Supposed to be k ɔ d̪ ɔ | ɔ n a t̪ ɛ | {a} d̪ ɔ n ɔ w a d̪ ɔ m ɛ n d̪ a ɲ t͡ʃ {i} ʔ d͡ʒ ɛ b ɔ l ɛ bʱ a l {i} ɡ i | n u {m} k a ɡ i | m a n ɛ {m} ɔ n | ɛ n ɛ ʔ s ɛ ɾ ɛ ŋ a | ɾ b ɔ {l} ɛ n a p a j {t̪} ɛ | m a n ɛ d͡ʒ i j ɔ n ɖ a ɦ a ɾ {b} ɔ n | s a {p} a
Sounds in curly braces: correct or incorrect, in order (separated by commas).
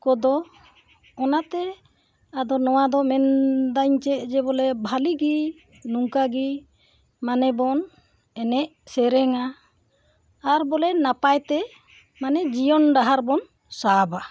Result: correct, incorrect, correct, incorrect, incorrect, correct, correct, correct, incorrect